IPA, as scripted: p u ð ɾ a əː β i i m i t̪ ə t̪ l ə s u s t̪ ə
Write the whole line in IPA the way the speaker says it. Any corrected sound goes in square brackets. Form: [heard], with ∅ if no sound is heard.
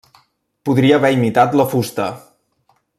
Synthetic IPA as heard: p u ð ɾ [i] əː β [ɛ] i m i t̪ [a] t̪ l ə [f] u s t̪ ə